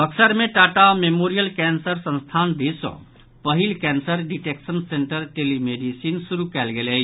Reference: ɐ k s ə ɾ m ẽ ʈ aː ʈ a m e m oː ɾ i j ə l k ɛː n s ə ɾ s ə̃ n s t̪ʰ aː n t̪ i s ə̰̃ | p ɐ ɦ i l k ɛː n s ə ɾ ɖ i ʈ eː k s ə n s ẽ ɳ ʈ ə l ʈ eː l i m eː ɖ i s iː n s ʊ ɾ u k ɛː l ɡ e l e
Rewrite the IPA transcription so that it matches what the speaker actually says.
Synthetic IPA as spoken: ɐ k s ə ɾ m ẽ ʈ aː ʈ a m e m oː ɾ i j ə l k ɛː n s ə ɾ s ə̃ n s t̪ʰ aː n d̪ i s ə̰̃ | p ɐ ɦ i l k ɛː n s ə ɾ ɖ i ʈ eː k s ə n s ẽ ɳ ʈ ə ɾ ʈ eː l i m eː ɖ i s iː n s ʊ ɾ u k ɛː l ɡ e l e